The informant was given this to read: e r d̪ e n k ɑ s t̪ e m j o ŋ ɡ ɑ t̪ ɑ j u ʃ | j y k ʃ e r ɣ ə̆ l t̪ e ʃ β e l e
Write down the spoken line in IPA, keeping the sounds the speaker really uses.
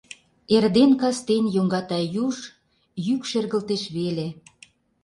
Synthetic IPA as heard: e r d̪ e n k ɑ s t̪ e n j o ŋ ɡ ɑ t̪ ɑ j u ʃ | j y k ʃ e r ɣ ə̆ l t̪ e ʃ β e l e